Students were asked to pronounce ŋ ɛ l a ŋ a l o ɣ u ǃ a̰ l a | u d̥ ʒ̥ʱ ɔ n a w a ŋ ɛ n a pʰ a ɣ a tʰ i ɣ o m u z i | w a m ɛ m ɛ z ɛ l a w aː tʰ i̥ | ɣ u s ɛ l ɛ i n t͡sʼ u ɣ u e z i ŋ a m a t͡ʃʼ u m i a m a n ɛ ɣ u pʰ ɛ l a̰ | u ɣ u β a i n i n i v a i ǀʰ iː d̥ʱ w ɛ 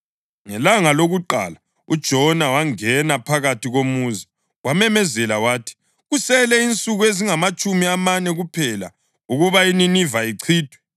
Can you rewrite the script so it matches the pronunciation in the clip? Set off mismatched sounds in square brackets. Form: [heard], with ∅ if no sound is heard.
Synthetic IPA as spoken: ŋ ɛ l a ŋ a l o ɣ u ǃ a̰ l a | u d̥ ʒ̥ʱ ɔ n a w a ŋ ɛ n a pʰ a ɣ a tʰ i ɣ o m u z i | w a m ɛ m ɛ z ɛ l a w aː tʰ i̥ | ɣ u s ɛ l ɛ i n t͡sʼ u ɣ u e z i ŋ a m a t͡ʃʼ u m i a m a n ɛ ɣ u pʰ ɛ l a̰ | u ɣ u β a i n i n i v a i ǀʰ iː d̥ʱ w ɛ

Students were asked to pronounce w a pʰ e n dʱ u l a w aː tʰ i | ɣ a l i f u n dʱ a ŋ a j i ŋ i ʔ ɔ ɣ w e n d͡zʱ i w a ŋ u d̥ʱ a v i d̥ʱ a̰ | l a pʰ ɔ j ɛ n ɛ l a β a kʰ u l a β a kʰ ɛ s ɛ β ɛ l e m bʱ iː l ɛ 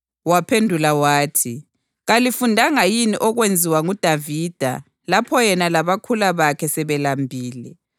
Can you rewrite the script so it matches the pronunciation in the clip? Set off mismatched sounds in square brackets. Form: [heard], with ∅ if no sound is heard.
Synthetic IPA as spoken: w a pʰ e n dʱ u l a w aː tʰ i | ɣ a l i f u n dʱ a ŋ a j i [n] i ʔ ɔ ɣ w e n d͡zʱ i w a ŋ u d̥ʱ a v i d̥ʱ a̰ | l a pʰ ɔ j ɛ n [a] l a β a kʰ u l a β a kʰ ɛ s ɛ β ɛ l [a] m bʱ iː l ɛ

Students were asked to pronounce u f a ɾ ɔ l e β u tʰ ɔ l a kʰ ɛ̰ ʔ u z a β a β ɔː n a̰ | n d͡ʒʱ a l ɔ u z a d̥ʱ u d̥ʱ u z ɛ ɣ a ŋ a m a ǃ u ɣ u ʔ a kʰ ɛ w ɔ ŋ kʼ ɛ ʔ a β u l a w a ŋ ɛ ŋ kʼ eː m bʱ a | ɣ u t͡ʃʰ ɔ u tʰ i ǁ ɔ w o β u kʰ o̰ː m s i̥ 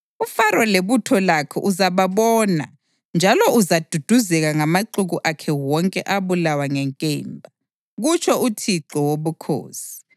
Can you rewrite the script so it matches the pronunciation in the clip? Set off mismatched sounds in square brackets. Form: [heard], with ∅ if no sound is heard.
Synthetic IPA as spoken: u f a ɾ ɔ l e β u tʰ ɔ l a kʰ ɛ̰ ʔ u z a β a β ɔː n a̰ | n d͡ʒʱ a l ɔ u z a d̥ʱ u d̥ʱ u z ɛ ɣ a ŋ a m a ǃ u ɣ u ʔ a kʰ ɛ w ɔ ŋ kʼ ɛ ʔ a β u l a w a ŋ ɛ ŋ kʼ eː m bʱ a | ɣ u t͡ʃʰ ɔ u tʰ i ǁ ɔ w o β u kʰ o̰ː [∅] s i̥

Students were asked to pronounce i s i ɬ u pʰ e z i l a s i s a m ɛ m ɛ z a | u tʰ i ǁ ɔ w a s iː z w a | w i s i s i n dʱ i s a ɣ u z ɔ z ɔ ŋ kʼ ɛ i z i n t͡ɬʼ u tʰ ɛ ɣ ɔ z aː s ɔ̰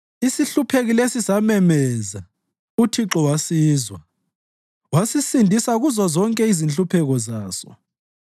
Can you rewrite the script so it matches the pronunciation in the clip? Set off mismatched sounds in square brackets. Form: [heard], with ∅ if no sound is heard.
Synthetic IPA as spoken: i s i ɬ u pʰ e [ɣ] i l [e] s i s a m ɛ m ɛ z a | u tʰ i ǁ ɔ w a s iː z w a | w [a] s i s i n dʱ i s a ɣ u z ɔ z ɔ ŋ kʼ ɛ i z i n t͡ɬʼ u [pʰ] ɛ ɣ ɔ z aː s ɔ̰

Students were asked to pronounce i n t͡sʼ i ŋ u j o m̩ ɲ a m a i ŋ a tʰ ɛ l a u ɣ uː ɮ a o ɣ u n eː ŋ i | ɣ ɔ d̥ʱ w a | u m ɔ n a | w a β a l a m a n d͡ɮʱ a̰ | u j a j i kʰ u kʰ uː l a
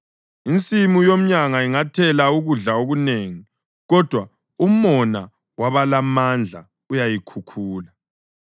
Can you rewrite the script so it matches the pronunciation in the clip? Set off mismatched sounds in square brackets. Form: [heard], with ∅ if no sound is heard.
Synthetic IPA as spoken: i n t͡sʼ i [m] u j o m̩ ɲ a [ŋ] a i ŋ a tʰ ɛ l a u ɣ [u] ɮ a o ɣ u n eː ŋ i | ɣ ɔ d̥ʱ w a | u m ɔ n a | w a β a l a m a n d͡ɮʱ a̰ | u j a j i kʰ u kʰ uː l a

